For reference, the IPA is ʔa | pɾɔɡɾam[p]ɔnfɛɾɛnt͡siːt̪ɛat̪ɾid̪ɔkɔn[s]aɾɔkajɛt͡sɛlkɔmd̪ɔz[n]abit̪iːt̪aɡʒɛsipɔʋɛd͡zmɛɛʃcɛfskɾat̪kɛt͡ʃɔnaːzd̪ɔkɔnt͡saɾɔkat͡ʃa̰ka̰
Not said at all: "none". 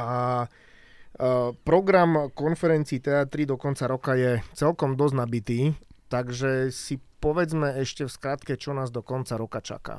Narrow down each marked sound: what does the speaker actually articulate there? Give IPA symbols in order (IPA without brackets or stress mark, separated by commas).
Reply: k, t͡s, n